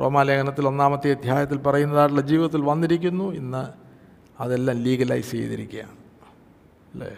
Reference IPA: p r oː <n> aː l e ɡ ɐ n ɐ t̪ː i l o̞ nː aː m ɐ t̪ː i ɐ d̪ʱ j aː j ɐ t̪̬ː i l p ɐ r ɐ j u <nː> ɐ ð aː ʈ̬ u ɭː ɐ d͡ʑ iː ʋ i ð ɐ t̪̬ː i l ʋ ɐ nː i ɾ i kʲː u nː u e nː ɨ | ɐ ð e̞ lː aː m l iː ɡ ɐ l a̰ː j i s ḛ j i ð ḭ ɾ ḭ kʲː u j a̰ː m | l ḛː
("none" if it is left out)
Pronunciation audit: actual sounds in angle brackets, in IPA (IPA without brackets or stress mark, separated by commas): m, nː